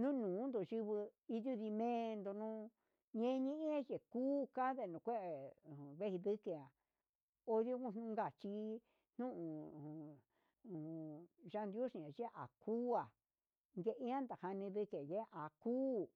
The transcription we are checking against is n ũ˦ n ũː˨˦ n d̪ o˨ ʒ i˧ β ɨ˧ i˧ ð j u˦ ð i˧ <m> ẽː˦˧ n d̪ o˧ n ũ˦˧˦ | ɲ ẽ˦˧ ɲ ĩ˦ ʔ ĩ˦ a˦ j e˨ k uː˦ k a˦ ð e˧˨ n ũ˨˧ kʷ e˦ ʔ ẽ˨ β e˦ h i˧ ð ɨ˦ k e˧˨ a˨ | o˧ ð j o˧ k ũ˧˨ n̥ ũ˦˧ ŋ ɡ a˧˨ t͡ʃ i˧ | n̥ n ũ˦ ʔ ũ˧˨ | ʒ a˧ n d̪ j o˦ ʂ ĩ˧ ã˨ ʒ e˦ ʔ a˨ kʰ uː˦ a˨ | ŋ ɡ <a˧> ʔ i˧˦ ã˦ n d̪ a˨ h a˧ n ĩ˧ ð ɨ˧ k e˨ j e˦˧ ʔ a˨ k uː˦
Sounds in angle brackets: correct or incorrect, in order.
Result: correct, incorrect: e˧

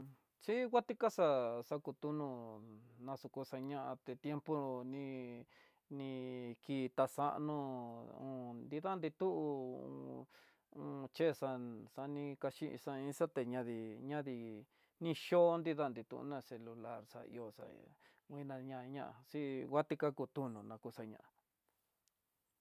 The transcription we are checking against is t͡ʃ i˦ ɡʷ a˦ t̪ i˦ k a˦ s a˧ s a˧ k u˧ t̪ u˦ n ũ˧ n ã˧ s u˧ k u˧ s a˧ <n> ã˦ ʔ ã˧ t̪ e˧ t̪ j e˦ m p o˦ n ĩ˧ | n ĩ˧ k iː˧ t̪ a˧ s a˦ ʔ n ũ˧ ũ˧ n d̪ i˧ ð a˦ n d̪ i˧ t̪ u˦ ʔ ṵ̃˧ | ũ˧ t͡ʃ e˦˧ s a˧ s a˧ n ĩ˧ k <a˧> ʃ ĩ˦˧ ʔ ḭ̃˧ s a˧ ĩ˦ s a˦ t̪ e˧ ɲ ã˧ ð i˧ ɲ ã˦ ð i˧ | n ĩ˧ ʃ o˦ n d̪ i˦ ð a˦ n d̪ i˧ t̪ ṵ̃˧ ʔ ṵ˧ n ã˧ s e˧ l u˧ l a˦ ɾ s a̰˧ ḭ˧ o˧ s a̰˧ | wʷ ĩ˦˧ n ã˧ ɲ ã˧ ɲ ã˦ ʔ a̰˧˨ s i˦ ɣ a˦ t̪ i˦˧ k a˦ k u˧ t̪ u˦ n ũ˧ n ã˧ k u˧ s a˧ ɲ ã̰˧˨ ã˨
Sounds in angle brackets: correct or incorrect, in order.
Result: incorrect: ɲ, correct

